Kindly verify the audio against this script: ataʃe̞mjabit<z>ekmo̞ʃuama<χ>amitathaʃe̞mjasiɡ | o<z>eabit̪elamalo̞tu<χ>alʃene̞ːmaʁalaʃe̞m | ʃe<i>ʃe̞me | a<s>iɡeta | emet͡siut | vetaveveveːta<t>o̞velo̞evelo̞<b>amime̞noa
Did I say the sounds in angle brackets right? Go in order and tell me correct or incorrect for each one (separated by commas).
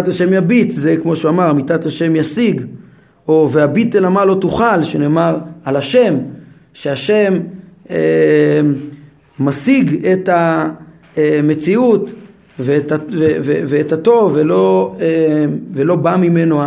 correct, incorrect, incorrect, correct, incorrect, correct, correct, correct